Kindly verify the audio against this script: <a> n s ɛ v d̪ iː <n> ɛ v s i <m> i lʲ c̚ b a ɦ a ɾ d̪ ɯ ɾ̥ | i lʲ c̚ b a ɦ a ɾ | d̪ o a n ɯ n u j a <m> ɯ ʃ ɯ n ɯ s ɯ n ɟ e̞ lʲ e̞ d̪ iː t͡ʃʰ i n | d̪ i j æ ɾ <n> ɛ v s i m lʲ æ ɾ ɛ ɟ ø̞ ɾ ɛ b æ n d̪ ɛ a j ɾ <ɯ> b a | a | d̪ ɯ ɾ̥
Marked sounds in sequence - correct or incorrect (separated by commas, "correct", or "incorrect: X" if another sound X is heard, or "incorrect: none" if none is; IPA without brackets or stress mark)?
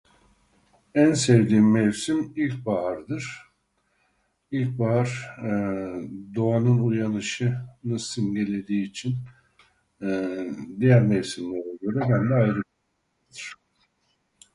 incorrect: æ, incorrect: m, correct, incorrect: n, incorrect: m, correct